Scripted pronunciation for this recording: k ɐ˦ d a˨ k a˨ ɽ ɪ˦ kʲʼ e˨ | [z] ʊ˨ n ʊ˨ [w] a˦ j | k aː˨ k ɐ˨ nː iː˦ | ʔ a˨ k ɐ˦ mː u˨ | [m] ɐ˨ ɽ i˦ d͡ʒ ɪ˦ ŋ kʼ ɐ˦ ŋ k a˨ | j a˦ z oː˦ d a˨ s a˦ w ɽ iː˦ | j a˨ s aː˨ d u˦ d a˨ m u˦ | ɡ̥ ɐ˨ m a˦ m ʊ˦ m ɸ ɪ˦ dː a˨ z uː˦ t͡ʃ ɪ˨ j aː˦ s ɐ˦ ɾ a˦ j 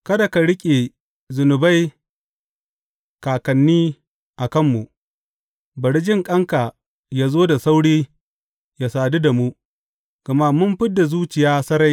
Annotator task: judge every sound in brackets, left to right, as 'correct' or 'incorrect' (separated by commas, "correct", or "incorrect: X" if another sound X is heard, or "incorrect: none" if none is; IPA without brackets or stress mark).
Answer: correct, incorrect: b, incorrect: b